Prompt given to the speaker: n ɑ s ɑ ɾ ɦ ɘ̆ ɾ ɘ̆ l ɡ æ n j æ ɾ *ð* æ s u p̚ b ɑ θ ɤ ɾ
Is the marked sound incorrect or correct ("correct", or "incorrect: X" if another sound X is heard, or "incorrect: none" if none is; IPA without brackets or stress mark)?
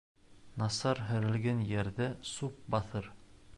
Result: correct